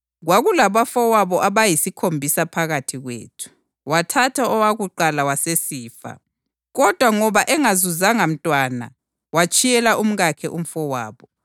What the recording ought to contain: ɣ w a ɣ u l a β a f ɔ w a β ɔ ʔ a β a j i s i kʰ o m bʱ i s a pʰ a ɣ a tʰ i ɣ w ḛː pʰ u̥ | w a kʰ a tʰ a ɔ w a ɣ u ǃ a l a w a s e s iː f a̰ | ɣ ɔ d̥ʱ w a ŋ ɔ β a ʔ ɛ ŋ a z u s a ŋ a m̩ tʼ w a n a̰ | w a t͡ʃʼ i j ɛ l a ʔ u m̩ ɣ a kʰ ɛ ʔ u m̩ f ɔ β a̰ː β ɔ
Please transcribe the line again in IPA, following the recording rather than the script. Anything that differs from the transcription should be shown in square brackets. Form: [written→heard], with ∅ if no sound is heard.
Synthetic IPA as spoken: ɣ w a ɣ u l a β a f ɔ w a β ɔ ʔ a β a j i s i kʰ o m bʱ i s a pʰ a ɣ a tʰ i ɣ w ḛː [pʰ→tʰ] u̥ | w a [kʰ→tʰ] a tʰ a ɔ w a ɣ u ǃ a l a w a s e s iː f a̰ | ɣ ɔ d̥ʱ w a ŋ ɔ β a ʔ ɛ ŋ a z u [s→z] a ŋ a m̩ tʼ w a n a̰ | w a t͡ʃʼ i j ɛ l a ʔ u m̩ ɣ a kʰ ɛ ʔ u m̩ f ɔ [β→w] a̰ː β ɔ

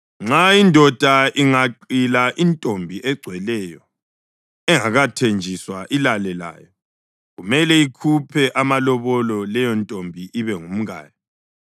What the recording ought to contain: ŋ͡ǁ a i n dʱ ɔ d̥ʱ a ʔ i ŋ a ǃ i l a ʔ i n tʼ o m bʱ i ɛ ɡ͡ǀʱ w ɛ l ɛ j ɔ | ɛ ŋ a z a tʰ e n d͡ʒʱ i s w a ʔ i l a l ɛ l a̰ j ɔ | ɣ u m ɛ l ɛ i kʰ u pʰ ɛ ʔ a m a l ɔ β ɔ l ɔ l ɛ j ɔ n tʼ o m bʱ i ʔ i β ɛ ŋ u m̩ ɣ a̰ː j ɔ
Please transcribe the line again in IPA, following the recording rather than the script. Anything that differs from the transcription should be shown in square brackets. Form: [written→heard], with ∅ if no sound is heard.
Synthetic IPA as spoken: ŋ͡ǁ a i n dʱ ɔ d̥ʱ a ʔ i ŋ a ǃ i l a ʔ i n tʼ o m bʱ i ɛ ɡ͡ǀʱ w ɛ l ɛ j ɔ | ɛ ŋ a [z→ɣ] a tʰ e n d͡ʒʱ i s w a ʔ i l a l ɛ l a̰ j ɔ | ɣ u m ɛ l ɛ i kʰ u pʰ ɛ ʔ a m a l ɔ β ɔ l ɔ l ɛ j ɔ n tʼ o m bʱ i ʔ i β ɛ ŋ u m̩ ɣ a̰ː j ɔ

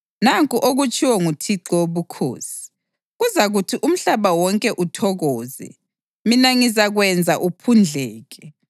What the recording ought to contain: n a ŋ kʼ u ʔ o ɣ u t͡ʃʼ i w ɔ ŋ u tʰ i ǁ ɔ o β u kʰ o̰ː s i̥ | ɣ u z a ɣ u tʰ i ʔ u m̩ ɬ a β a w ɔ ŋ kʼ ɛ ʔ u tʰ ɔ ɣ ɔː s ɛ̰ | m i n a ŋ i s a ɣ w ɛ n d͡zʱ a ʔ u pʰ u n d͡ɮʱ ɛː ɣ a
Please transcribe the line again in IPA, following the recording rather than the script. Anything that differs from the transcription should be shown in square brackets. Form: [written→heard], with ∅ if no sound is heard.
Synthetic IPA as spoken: n a ŋ kʼ u ʔ o ɣ u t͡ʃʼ i w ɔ ŋ u tʰ i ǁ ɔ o β u kʰ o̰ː s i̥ | ɣ u z a ɣ u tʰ i ʔ u m̩ ɬ a β a w ɔ ŋ kʼ ɛ ʔ u tʰ ɔ ɣ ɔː [s→z] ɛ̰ | m i n a ŋ i [s→z] a ɣ w ɛ n d͡zʱ a ʔ u pʰ u n d͡ɮʱ ɛː ɣ [a→ɛ]

